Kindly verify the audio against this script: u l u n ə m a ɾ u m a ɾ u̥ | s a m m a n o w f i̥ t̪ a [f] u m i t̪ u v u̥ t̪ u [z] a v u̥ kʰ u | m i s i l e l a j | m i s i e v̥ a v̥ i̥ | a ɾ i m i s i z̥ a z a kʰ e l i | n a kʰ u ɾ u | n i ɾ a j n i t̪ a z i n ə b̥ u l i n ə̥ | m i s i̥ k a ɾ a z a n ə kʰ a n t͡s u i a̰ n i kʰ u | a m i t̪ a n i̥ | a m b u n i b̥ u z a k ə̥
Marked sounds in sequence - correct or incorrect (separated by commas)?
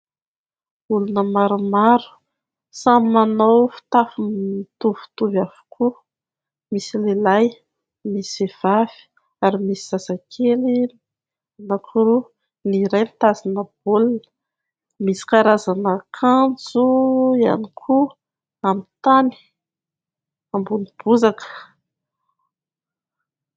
correct, incorrect